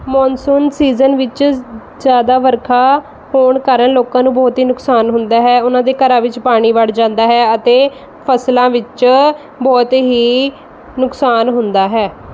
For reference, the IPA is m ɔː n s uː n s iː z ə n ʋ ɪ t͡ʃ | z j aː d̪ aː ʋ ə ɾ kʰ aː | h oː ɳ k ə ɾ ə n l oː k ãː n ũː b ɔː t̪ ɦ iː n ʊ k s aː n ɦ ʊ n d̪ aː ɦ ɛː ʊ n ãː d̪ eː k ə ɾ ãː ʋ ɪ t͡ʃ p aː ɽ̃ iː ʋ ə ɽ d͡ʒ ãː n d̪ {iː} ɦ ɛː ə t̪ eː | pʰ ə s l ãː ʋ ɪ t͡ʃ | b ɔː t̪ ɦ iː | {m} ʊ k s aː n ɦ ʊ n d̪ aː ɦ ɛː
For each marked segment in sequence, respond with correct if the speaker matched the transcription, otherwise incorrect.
incorrect: aː, incorrect: n

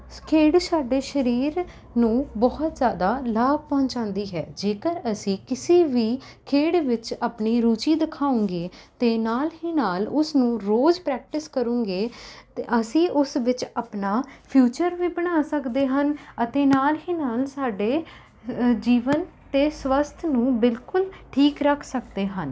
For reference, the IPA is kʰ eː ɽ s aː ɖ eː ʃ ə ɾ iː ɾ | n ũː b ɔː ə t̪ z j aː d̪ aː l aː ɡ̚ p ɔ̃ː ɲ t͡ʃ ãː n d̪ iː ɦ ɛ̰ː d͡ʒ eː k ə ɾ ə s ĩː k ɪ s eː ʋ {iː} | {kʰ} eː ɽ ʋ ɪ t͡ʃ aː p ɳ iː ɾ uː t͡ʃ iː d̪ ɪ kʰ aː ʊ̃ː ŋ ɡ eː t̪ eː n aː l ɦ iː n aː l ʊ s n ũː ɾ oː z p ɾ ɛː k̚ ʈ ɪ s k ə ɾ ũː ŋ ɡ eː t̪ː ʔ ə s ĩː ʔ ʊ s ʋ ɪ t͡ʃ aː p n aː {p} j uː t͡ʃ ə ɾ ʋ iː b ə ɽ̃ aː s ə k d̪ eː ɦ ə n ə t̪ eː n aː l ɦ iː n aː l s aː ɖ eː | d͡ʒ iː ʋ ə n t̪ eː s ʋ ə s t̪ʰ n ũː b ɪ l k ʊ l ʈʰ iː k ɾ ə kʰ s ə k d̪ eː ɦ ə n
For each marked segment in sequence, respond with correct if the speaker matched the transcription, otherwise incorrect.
correct, correct, incorrect: pʰ

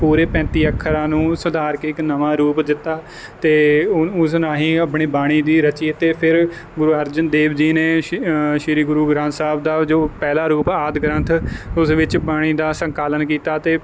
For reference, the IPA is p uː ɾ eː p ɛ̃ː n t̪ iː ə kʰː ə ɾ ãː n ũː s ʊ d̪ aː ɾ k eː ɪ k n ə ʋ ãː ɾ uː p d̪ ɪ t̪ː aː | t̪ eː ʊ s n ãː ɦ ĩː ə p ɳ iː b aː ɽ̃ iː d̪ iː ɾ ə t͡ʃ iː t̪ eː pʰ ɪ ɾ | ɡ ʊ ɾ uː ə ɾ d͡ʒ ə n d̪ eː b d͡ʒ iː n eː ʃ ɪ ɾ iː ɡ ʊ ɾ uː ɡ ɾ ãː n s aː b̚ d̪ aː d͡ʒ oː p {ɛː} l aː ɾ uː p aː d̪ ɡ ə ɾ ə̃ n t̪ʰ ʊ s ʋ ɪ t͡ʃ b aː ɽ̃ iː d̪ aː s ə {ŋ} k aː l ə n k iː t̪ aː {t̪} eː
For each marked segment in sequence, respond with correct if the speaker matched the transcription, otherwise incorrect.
correct, correct, correct

